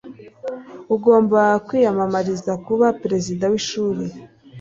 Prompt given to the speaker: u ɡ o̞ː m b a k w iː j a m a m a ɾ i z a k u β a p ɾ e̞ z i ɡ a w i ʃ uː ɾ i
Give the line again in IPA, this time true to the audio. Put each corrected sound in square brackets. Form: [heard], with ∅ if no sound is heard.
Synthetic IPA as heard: u ɡ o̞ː m b a k w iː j a m a m a ɾ i z a k u β a p ɾ e̞ z i [d] a w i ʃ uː ɾ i